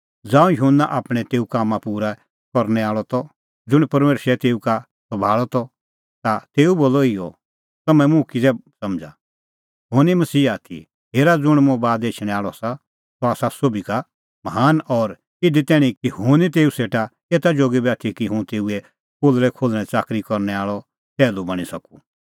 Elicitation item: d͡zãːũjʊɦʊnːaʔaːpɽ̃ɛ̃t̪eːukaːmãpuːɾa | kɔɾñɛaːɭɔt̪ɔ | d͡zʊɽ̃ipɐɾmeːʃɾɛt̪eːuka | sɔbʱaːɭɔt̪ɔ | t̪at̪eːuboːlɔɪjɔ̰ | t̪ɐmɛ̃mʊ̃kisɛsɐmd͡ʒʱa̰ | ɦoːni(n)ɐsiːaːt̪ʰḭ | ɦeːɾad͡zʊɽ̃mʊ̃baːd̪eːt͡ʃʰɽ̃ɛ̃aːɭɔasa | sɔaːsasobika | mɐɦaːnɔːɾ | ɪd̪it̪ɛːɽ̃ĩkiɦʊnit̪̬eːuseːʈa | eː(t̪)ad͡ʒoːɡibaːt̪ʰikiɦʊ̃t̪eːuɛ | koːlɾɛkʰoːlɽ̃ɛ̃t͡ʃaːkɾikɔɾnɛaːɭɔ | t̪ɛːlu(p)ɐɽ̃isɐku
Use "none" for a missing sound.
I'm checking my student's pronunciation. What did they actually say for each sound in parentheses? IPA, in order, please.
m, t̪, b

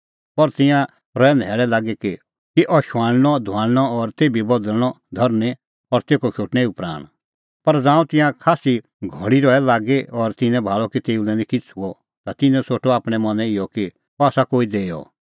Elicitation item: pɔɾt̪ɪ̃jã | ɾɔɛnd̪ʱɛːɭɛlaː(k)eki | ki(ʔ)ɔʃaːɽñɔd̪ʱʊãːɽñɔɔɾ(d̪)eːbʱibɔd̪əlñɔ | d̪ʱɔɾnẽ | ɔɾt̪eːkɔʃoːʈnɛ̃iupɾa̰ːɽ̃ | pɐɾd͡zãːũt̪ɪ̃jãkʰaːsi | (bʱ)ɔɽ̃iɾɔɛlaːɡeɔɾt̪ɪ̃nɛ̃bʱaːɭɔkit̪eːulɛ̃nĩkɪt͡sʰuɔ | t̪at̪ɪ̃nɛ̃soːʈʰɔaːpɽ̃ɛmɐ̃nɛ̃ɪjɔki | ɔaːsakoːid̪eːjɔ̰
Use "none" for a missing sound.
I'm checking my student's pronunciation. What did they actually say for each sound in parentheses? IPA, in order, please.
ɡ, ʔ, t̪, ɡʱ

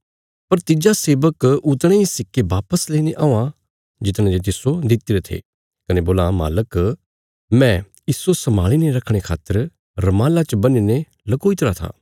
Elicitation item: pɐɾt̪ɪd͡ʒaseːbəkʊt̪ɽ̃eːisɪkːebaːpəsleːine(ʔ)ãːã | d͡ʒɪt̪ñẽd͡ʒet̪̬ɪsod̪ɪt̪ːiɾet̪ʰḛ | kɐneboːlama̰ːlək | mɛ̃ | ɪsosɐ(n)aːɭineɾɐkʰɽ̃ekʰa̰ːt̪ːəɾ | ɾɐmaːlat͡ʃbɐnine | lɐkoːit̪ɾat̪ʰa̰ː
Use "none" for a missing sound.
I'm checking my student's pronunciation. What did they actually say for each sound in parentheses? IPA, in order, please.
ʔ, m

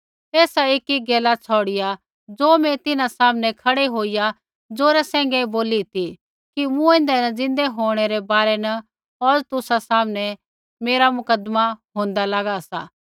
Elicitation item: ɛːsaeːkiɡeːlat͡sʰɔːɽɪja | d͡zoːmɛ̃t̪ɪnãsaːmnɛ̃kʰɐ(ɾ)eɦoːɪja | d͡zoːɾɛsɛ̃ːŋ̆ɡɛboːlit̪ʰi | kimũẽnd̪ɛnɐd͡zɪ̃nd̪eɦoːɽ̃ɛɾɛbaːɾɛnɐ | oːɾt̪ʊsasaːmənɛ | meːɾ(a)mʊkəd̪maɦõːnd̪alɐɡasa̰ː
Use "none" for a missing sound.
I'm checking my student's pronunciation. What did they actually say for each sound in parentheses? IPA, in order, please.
ɽ, a

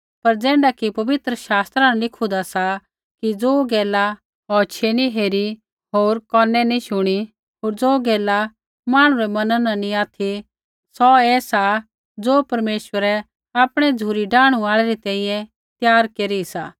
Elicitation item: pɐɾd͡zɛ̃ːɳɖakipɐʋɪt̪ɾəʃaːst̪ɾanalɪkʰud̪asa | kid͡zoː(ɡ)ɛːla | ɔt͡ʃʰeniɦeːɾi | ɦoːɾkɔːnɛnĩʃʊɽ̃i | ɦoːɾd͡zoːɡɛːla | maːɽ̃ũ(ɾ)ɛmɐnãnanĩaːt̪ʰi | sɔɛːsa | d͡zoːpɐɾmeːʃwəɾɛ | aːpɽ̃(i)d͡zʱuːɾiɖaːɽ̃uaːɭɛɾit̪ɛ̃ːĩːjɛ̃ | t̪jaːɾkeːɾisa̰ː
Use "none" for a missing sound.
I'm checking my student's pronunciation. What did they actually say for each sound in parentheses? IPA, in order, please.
ɡ, ɾ, ɛ

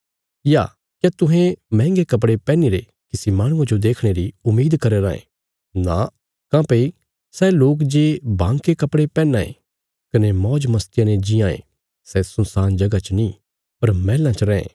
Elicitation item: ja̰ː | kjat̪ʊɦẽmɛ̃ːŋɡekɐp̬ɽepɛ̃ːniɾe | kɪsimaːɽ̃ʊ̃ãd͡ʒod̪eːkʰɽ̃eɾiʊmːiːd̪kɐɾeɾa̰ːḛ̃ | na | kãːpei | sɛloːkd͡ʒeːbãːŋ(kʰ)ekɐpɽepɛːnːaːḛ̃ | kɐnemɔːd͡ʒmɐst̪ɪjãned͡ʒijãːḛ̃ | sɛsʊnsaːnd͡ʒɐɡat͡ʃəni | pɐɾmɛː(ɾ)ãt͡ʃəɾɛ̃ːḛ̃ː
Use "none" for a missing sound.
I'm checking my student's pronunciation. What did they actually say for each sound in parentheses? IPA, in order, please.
k, l

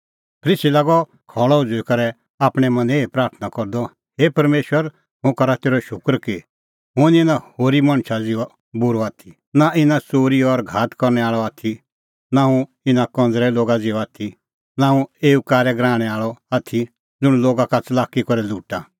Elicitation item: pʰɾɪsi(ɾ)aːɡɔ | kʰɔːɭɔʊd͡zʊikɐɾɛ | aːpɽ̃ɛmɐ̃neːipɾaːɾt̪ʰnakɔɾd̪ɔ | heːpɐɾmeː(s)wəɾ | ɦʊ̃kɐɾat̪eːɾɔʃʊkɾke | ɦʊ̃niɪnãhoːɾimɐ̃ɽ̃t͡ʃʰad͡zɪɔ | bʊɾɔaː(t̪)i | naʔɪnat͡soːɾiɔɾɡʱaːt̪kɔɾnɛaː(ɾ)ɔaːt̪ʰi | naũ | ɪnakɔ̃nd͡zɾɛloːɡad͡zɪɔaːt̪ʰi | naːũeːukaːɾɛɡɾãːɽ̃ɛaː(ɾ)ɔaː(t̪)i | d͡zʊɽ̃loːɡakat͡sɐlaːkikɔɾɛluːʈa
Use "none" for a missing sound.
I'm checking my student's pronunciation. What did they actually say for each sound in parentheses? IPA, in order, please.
l, ʃ, t̪ʰ, ɭ, ɭ, t̪ʰ

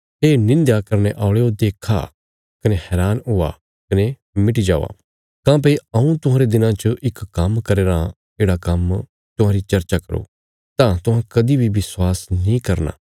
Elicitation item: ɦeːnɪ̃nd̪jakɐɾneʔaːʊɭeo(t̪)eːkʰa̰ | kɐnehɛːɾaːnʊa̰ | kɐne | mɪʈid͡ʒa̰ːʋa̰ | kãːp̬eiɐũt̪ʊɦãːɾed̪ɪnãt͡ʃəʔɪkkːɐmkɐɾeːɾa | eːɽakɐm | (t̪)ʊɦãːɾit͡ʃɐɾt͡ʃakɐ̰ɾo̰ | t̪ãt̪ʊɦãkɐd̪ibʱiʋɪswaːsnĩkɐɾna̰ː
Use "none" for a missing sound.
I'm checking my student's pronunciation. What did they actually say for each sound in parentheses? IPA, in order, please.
d̪, t̪

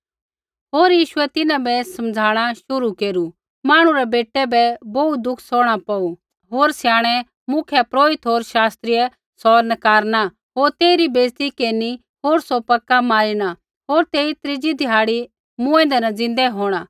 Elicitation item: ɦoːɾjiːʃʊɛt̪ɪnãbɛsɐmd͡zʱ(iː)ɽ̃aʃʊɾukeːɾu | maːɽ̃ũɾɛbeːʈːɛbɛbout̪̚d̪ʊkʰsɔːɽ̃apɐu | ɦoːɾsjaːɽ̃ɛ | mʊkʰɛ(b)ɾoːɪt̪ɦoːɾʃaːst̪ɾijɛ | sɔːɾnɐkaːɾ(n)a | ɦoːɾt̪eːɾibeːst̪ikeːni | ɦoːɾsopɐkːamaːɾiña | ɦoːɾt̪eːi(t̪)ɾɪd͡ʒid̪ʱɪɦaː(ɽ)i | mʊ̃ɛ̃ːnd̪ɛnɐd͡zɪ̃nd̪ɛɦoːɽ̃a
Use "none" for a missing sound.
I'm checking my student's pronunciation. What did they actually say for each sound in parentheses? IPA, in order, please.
aː, p, n, t̪, ɽ

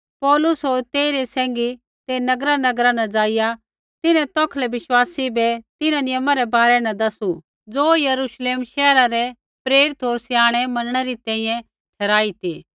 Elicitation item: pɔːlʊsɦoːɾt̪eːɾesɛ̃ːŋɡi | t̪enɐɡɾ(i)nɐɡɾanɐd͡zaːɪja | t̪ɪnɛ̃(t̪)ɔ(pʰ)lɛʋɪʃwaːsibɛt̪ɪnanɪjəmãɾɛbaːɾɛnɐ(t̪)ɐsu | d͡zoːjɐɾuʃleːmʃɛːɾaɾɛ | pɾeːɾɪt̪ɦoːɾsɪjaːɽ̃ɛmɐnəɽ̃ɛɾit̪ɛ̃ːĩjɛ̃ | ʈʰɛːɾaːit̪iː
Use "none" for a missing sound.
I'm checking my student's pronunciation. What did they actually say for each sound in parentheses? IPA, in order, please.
a, t̪, kʰ, d̪

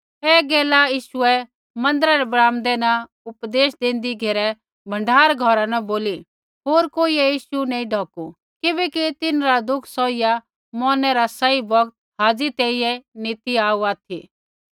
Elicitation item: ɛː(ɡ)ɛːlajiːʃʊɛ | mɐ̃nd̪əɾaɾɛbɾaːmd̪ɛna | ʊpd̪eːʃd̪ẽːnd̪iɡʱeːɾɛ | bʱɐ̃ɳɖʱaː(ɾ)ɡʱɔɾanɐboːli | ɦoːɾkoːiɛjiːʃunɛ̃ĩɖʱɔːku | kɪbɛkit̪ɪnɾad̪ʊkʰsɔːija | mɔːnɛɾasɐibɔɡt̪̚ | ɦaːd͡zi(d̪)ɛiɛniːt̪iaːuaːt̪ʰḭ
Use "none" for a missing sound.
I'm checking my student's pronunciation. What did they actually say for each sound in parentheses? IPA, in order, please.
ɡ, ɾ, t̪

